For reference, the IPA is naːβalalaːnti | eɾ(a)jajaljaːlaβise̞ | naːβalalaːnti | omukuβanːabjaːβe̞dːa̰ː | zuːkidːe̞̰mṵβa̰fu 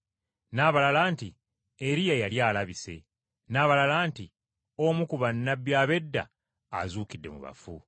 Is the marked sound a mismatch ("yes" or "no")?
yes